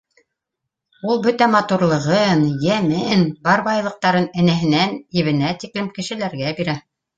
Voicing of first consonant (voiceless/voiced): voiced